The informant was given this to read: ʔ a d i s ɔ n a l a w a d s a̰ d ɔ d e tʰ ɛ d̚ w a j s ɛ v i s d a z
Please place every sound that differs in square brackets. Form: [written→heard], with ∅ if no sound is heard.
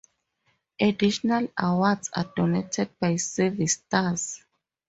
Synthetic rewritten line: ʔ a d i [s→ʃ] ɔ n a l a w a d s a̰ d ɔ [d→n] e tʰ ɛ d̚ [w→b] a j s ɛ v i s [d→t] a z